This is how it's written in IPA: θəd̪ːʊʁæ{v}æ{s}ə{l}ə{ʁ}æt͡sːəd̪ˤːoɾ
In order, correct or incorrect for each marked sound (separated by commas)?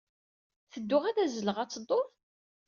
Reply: incorrect, incorrect, correct, correct